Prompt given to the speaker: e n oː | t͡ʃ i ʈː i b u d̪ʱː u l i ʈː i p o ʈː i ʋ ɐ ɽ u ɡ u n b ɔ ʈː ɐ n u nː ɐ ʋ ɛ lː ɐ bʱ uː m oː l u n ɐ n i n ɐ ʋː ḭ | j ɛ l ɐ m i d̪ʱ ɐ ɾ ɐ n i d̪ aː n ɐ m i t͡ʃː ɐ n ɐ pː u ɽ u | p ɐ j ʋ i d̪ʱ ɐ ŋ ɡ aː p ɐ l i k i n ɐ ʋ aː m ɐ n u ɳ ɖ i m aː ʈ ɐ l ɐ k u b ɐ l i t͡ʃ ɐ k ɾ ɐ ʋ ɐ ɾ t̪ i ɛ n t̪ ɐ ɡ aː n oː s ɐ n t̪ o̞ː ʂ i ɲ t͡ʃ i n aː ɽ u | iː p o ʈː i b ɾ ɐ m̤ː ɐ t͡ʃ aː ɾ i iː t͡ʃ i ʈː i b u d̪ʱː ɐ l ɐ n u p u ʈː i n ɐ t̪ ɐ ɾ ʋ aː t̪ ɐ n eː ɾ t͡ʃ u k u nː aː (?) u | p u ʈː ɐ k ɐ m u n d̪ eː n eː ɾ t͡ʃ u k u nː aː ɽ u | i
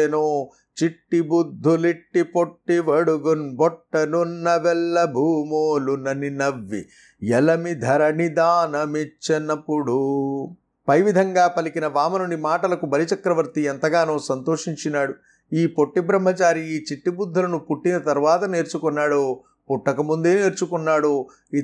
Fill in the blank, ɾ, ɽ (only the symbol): ɽ